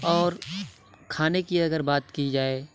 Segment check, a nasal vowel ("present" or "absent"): absent